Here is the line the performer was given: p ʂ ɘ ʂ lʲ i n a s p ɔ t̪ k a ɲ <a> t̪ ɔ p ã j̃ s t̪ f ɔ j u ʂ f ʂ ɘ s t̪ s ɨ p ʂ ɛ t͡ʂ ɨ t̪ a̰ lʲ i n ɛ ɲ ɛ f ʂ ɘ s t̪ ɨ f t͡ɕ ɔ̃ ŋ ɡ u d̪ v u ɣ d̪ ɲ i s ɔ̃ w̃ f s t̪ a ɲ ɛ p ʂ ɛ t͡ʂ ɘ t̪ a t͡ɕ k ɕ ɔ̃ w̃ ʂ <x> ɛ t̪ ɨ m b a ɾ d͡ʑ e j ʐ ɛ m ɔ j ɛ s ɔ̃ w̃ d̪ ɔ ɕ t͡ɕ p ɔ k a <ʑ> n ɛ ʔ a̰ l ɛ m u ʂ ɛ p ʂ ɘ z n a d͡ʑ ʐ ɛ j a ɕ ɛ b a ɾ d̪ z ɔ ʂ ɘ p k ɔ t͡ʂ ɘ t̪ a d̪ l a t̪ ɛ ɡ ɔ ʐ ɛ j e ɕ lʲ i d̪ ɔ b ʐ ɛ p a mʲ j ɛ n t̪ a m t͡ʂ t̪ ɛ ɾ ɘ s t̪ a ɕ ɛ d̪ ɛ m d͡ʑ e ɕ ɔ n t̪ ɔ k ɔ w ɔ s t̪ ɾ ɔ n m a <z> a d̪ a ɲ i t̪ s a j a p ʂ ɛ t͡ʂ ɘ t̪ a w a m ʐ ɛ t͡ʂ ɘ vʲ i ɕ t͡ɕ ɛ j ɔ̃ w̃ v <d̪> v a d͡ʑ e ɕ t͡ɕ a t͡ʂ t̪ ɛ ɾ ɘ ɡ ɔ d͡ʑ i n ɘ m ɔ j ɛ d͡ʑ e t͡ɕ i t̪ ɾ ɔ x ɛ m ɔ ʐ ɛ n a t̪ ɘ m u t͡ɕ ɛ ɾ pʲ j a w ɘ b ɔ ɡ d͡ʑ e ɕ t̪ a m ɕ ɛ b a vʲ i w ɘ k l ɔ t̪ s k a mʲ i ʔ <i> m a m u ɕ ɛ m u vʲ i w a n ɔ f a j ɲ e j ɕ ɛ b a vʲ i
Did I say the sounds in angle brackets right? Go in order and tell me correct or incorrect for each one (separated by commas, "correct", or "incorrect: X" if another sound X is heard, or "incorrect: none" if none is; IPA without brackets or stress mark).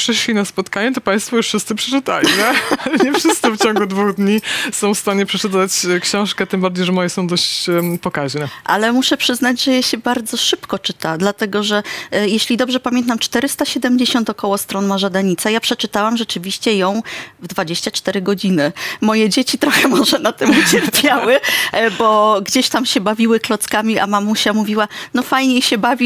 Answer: incorrect: ɛ, incorrect: k, correct, incorrect: ʐ, correct, incorrect: a